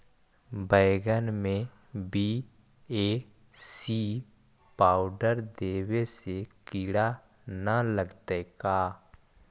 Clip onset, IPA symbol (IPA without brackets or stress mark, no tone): b